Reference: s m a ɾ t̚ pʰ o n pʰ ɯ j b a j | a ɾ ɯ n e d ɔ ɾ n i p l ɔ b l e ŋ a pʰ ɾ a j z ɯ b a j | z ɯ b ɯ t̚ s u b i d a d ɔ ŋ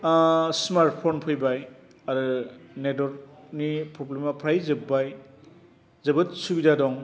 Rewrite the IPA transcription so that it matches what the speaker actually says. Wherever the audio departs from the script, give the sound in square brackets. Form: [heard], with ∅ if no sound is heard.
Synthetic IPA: s m a ɾ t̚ pʰ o n pʰ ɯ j b a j | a ɾ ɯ n e d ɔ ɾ n i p [ɾ] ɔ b l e [m] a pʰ ɾ a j z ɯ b a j | z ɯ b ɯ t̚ s u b i d a d ɔ ŋ